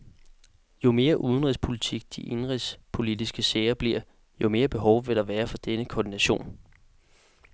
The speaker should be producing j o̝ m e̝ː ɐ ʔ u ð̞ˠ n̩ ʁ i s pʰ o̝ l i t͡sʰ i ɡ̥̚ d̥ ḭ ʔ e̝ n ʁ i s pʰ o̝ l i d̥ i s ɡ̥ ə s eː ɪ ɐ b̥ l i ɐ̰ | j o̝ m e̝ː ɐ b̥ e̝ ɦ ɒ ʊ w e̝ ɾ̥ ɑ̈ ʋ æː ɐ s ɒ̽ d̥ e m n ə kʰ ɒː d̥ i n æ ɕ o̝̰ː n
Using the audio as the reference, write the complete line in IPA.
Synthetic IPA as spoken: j o̝ m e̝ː ɐ ʔ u ð̞ˠ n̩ ʁ i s pʰ o̝ l i t͡sʰ i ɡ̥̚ d̥ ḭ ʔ e̝ n ʁ i s pʰ o̝ l i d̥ i s ɡ̥ ə s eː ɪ ɐ b̥ l i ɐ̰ | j o̝ m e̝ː ɐ b̥ e̝ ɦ ɒ ʊ ʋ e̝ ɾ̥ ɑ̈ ʋ æː ɐ f ɒ̽ d̥ e n ə kʰ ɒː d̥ i n æ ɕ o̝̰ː n